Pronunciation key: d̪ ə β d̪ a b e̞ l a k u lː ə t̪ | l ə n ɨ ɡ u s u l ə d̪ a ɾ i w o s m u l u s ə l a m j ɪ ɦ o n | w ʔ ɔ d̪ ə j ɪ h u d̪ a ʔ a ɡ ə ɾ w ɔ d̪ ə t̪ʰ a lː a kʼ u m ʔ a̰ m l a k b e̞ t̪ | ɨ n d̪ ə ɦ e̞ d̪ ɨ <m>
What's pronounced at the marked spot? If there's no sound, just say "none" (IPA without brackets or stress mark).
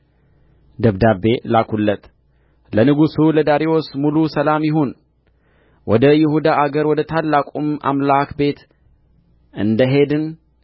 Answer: n